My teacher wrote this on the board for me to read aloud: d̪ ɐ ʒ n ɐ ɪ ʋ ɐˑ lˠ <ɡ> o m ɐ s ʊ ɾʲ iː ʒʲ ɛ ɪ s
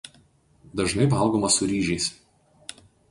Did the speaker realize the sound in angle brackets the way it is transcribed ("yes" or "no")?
yes